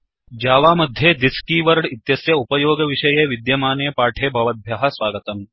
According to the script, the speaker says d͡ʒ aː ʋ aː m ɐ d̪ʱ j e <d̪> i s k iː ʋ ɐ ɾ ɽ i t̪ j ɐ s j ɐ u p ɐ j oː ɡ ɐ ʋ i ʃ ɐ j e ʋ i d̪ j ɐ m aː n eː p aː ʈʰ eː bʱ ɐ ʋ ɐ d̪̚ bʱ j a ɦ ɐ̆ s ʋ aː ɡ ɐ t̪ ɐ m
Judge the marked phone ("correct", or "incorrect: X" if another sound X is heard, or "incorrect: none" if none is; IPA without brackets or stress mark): correct